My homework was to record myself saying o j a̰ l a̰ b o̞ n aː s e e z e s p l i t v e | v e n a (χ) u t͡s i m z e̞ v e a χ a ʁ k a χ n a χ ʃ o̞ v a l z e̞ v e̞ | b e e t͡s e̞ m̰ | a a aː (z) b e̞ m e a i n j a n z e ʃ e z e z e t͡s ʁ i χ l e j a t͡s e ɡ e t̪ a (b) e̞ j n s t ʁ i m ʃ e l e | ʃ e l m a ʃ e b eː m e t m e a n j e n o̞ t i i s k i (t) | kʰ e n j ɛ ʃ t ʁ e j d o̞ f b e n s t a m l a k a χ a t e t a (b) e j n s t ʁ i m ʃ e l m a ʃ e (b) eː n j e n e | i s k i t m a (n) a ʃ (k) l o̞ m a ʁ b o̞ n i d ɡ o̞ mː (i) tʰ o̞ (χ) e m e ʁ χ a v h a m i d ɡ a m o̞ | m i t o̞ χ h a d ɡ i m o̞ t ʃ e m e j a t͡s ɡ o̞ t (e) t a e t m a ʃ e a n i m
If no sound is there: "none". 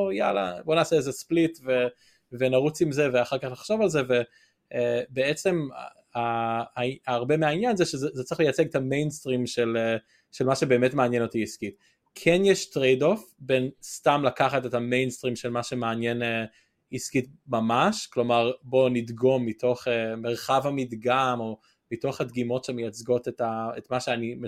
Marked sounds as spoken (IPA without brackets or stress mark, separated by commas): ʁ, ʁ, m, t, m, m, m, k, i, χ, e